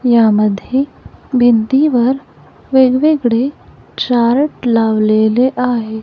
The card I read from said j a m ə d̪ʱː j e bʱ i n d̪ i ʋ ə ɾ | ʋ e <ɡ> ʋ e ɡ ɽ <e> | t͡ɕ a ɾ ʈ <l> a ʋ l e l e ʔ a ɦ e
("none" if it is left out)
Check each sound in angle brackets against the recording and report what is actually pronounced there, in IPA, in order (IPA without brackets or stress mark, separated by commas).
ɡ, e, l